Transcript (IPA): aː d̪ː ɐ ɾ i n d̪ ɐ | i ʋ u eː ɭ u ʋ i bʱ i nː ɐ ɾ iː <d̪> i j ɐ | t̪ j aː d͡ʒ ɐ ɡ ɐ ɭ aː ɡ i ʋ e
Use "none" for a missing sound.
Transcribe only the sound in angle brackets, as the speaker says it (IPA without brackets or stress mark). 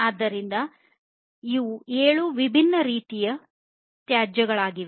t̪